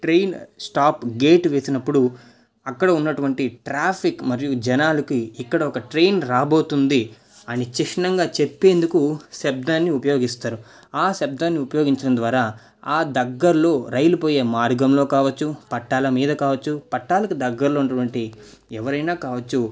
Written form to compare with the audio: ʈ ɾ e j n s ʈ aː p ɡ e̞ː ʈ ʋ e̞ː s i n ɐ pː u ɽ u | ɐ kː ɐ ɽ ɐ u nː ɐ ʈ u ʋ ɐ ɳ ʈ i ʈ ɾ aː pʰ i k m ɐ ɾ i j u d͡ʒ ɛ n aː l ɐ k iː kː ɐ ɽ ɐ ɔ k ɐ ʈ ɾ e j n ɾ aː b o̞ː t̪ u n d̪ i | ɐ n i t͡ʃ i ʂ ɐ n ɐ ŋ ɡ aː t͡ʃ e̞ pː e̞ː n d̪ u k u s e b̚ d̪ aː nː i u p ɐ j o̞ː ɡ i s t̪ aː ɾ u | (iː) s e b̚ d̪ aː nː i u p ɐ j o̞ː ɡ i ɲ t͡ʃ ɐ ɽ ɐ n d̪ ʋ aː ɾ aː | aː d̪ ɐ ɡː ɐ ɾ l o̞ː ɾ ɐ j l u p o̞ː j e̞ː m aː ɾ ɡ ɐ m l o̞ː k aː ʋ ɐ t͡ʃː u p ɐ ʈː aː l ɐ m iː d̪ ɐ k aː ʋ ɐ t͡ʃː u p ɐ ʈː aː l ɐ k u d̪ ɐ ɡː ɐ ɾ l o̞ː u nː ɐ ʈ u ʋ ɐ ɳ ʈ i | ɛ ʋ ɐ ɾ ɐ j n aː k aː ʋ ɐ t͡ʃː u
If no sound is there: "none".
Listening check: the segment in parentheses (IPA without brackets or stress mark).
aː